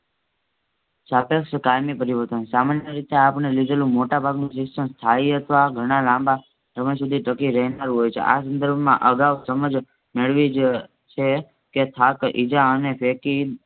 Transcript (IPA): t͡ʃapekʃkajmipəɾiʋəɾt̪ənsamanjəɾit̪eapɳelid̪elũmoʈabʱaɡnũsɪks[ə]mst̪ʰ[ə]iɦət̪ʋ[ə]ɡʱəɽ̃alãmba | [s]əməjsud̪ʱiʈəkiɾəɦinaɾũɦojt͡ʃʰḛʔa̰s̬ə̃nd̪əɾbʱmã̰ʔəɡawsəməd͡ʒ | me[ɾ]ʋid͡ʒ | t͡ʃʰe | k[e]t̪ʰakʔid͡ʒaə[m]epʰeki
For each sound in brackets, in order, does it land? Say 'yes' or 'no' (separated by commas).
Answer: yes, no, no, yes, no, yes, no